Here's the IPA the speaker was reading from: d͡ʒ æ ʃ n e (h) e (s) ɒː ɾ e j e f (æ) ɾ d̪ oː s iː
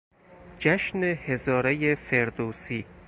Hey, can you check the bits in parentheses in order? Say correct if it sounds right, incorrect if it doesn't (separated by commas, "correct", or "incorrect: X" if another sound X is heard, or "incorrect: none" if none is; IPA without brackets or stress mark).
correct, incorrect: z, incorrect: e